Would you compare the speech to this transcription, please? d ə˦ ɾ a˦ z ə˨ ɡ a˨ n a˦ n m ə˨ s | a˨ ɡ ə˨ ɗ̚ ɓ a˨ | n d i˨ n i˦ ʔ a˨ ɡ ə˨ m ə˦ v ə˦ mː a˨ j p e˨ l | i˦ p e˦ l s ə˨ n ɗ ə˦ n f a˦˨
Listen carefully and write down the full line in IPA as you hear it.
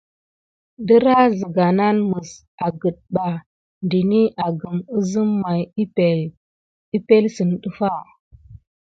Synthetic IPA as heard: d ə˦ ɾ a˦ z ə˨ ɡ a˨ n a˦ n m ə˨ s | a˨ ɡ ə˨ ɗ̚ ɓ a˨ | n d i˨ n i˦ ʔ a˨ ɡ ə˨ m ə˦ z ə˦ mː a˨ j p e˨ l | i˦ p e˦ l s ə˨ n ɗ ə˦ f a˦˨